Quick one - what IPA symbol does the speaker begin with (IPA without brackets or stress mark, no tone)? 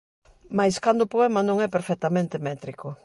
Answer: m